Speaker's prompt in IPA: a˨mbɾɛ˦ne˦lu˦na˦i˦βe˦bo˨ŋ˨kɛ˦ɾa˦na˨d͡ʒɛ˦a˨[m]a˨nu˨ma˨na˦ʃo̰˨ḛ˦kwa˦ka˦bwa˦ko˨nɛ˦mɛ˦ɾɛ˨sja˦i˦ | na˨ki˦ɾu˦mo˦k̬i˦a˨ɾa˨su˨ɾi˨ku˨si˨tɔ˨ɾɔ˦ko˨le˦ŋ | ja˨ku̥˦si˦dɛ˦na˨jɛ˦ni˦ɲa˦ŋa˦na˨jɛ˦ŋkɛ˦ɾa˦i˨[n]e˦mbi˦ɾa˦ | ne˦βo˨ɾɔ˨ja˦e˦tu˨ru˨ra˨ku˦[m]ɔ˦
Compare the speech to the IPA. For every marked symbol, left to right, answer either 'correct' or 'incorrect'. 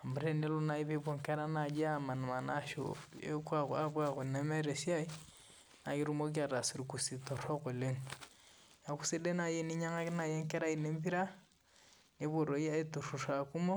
correct, correct, correct

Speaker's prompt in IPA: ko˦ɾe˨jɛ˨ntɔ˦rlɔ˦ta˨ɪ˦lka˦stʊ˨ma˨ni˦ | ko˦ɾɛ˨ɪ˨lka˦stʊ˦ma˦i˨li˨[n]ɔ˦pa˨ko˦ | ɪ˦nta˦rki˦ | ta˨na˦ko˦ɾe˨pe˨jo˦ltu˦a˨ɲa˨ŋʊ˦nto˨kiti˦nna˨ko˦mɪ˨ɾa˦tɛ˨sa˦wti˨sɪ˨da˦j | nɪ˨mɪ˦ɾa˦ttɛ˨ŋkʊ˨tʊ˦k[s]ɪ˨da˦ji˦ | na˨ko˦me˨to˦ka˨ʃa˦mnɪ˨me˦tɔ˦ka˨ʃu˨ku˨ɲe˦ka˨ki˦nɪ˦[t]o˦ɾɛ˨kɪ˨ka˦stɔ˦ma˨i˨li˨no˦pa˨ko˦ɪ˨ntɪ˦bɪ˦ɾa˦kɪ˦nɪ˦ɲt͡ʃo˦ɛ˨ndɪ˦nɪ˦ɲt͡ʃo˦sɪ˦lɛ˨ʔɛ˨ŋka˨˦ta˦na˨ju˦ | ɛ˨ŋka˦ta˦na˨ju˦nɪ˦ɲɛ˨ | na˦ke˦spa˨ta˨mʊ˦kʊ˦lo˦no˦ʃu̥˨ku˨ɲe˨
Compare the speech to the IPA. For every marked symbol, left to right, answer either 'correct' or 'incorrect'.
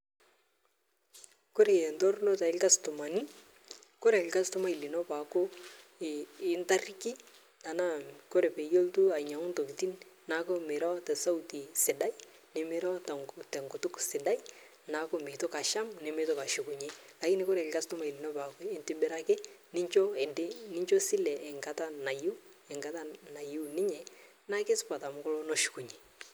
correct, correct, incorrect

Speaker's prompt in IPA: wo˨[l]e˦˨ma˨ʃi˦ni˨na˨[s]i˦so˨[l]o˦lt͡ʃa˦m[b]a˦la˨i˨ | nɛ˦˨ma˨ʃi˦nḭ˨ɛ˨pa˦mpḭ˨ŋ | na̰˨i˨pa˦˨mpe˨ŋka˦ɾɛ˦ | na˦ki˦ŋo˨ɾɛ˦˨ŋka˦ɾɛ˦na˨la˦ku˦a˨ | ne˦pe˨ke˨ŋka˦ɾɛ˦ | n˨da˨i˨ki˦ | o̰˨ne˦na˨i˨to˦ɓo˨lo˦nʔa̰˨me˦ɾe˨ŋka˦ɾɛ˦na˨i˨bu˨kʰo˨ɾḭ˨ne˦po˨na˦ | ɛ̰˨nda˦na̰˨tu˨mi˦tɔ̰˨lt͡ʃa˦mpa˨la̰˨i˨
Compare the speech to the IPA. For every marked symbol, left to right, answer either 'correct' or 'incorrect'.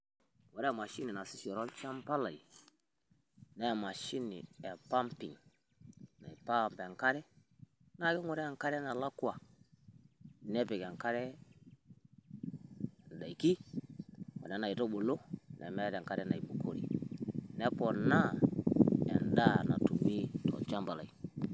incorrect, correct, incorrect, incorrect

